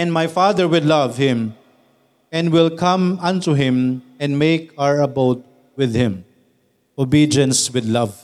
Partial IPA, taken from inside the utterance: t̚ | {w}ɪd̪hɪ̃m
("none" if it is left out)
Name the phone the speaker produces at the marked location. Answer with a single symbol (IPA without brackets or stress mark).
w